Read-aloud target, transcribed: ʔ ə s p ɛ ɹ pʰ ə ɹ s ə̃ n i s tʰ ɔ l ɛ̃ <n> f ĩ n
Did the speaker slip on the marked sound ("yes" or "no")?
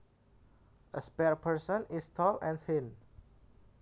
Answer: no